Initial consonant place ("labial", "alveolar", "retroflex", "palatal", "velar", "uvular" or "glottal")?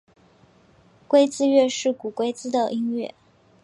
velar